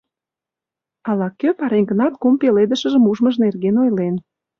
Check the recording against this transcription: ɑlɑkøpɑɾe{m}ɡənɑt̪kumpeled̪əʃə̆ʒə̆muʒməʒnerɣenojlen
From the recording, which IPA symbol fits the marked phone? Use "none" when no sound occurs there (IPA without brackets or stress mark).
ŋ